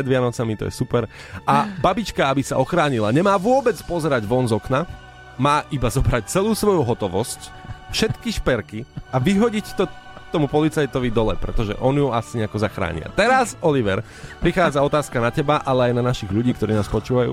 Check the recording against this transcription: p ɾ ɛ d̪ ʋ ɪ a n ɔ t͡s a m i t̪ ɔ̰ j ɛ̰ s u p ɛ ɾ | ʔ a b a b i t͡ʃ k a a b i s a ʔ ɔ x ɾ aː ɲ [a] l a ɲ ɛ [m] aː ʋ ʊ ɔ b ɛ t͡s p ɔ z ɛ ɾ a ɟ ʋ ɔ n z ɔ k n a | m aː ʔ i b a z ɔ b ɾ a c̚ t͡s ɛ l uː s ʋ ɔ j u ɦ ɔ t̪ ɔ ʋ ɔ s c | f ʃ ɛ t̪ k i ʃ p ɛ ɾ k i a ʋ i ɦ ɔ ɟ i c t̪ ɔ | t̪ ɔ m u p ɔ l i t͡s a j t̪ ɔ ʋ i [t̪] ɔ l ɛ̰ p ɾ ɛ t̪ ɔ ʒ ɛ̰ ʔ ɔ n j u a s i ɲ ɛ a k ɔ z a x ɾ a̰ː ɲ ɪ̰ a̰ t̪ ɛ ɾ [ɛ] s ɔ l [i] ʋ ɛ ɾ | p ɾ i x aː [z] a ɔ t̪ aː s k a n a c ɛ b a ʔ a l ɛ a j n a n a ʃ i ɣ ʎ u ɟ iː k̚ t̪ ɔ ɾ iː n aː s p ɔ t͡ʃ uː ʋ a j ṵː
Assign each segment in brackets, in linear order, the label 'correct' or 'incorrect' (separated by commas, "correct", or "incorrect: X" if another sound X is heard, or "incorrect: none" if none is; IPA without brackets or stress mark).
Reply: incorrect: i, correct, incorrect: d̪, incorrect: a, correct, incorrect: d͡z